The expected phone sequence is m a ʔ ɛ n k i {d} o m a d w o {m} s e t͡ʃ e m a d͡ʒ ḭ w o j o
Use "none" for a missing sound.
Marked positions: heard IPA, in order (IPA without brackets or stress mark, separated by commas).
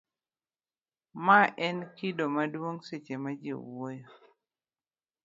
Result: d, ŋ